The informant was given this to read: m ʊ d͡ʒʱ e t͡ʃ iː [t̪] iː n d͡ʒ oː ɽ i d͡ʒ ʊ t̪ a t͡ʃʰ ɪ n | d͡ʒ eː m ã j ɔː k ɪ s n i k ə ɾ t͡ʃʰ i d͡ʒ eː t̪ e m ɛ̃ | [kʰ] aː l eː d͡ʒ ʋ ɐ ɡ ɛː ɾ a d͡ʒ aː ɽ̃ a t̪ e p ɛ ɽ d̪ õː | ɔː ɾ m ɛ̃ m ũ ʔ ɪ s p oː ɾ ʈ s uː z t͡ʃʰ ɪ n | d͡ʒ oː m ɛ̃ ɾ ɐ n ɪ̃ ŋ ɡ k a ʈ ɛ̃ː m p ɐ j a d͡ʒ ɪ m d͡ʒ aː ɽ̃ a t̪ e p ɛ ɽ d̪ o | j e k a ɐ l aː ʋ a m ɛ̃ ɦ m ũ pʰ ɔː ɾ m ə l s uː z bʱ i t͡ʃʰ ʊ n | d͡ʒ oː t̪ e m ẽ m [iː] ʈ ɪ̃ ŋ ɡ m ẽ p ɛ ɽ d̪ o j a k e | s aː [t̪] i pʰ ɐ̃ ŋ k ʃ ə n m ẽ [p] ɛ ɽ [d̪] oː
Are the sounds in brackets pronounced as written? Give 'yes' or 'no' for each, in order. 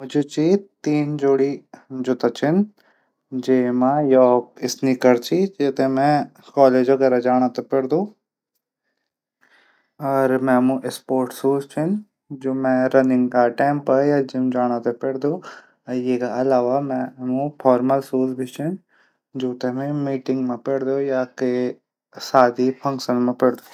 yes, no, yes, no, yes, yes

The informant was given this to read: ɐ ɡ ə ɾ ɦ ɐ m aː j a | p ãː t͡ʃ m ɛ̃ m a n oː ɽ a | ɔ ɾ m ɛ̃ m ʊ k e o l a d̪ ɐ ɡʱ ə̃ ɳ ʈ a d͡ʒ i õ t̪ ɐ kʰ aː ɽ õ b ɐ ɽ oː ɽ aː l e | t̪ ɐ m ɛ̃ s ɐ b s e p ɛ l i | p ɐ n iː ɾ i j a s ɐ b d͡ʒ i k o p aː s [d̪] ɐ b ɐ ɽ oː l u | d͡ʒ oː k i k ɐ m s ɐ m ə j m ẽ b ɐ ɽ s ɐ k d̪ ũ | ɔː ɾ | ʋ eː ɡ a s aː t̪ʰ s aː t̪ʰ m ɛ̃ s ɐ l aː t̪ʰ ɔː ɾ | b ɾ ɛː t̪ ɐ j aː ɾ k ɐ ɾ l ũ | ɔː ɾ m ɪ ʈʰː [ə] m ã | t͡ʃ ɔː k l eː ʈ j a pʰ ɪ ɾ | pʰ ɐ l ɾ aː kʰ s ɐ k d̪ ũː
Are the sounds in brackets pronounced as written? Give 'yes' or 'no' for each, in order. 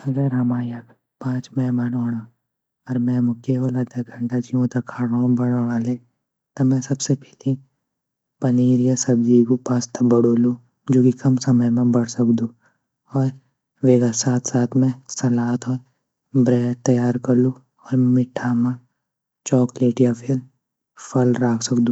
no, no

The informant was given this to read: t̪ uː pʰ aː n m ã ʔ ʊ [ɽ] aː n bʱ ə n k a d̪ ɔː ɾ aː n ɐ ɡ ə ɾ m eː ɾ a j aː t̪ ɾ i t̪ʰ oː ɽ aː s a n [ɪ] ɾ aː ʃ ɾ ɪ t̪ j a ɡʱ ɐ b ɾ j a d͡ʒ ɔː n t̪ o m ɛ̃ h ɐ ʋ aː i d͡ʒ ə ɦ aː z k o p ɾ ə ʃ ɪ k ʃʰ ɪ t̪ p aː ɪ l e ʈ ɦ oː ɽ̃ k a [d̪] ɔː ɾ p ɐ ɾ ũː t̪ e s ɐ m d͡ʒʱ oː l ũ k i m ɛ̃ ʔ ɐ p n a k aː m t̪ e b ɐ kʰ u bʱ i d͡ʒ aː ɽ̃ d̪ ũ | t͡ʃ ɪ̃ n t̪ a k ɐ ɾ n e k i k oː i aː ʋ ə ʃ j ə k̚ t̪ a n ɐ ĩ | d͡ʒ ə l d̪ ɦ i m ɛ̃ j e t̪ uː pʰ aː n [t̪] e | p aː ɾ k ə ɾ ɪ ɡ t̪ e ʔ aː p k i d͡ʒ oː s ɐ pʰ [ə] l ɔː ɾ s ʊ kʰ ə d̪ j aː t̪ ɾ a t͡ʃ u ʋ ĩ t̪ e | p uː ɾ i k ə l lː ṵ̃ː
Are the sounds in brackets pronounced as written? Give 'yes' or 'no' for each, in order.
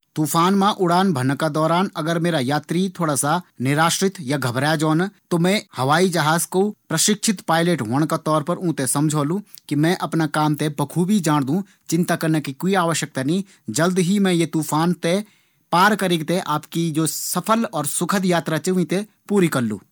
yes, yes, no, yes, yes

